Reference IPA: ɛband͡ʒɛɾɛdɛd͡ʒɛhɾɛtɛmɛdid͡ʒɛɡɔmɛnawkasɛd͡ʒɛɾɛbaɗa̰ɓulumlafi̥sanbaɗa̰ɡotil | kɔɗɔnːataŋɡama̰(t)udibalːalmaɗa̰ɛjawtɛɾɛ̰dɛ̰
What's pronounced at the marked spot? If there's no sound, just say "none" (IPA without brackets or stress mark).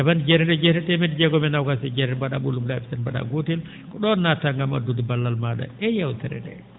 d